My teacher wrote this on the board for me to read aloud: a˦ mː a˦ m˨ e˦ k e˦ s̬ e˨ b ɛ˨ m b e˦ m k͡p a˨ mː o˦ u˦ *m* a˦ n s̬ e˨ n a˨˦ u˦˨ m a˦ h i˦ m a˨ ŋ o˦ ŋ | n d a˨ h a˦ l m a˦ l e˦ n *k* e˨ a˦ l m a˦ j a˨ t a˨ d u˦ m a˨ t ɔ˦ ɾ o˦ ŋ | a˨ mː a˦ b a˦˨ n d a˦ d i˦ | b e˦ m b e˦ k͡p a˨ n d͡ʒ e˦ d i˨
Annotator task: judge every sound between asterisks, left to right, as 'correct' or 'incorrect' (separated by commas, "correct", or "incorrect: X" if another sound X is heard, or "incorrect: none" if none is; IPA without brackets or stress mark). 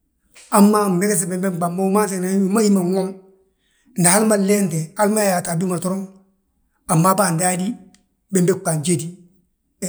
correct, incorrect: t